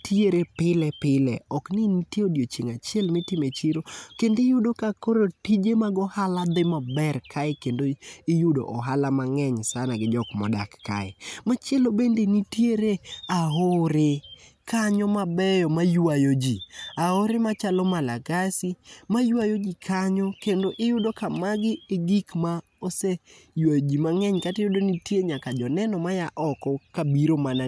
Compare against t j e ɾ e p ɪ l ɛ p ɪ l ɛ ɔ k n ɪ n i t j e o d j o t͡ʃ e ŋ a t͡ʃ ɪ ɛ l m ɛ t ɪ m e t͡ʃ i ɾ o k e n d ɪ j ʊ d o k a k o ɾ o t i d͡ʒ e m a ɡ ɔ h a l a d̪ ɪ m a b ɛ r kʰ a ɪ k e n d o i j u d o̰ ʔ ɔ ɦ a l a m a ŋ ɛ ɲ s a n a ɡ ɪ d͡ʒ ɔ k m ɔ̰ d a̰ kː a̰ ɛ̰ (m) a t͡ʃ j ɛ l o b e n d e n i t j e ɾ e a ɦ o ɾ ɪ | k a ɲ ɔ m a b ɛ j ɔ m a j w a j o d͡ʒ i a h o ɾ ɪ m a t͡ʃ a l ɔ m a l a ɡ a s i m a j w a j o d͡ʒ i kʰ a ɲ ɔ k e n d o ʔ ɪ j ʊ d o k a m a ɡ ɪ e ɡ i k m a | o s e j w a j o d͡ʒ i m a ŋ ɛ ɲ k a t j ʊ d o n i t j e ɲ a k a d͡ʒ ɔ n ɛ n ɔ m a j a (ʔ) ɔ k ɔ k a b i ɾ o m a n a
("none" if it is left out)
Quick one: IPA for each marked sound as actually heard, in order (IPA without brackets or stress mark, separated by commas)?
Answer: m, ʔ